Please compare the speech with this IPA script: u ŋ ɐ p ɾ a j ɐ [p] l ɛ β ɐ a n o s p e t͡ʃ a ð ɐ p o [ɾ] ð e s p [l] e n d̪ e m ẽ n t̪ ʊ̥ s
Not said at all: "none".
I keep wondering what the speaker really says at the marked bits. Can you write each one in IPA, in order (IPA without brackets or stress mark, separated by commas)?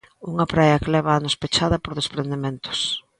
k, ɾ, ɾ